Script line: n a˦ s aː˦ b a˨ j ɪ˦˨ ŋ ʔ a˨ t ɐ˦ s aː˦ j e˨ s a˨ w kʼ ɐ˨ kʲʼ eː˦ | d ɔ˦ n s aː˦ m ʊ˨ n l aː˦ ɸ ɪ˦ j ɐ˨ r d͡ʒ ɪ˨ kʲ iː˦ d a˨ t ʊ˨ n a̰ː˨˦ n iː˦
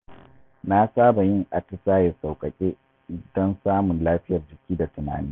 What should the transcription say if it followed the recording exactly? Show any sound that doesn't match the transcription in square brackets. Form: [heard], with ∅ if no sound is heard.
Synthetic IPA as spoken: n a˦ s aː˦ b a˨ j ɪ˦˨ ŋ ʔ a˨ t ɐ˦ s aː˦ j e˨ s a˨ w kʼ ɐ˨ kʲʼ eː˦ | d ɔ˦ n s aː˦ m ʊ˨ n l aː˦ ɸ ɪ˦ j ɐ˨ r d͡ʒ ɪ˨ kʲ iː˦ d a˨ t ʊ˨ n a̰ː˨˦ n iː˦